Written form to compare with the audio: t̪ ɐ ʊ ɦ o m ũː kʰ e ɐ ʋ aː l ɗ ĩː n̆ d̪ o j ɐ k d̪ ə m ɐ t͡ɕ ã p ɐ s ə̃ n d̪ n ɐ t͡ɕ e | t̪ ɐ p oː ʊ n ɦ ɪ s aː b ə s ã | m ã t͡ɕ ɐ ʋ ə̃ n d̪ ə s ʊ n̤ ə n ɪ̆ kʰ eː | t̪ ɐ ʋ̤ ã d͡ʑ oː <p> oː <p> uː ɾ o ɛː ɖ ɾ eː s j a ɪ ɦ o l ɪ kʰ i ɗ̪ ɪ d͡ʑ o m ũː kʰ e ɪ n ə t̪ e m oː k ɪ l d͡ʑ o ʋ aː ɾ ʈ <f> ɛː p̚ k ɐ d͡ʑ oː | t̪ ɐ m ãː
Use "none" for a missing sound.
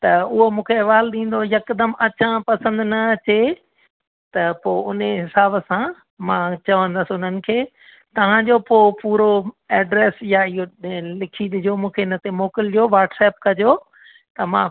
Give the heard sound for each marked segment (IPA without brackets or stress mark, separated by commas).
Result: p, p, s